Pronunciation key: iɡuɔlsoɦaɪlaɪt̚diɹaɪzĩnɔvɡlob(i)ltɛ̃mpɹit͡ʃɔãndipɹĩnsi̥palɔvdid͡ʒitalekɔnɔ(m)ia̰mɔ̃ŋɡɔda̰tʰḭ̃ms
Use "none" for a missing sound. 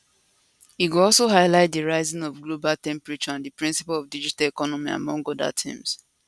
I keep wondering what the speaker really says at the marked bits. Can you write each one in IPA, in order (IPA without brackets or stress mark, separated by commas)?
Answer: a, m